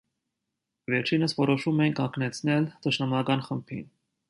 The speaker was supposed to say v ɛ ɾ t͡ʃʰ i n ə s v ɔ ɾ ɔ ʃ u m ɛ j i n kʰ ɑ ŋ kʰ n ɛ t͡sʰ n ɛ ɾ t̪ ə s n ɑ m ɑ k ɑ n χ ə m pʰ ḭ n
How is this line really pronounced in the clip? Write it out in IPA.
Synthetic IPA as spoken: v ɛ ɾ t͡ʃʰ i n ə s v ɔ ɾ ɔ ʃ u m ɛ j i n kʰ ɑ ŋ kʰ n ɛ t͡sʰ n ɛ l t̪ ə ʃ n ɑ m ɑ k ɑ n χ ə m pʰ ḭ n